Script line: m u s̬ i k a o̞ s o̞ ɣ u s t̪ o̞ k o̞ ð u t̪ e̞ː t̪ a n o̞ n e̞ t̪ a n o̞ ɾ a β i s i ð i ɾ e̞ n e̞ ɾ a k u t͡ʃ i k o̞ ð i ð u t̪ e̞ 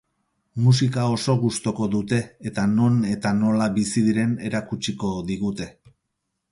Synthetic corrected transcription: m u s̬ i k a o̞ s o̞ ɣ u s t̪ o̞ k o̞ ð u t̪ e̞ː t̪ a n o̞ n e̞ t̪ a n o̞ l a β i s i ð i ɾ e̞ n e̞ ɾ a k u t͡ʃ i k o̞ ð i ɣ u t̪ e̞